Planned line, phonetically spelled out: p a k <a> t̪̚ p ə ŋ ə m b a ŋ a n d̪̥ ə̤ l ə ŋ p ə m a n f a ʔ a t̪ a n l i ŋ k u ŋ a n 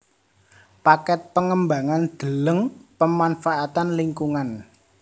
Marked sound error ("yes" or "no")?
yes